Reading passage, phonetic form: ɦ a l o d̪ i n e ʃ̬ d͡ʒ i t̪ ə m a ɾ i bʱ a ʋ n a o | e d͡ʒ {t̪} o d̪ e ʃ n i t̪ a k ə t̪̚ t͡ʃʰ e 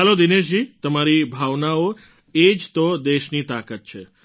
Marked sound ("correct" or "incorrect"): correct